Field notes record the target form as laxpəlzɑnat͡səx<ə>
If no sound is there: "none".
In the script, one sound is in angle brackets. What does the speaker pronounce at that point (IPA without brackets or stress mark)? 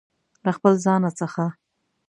a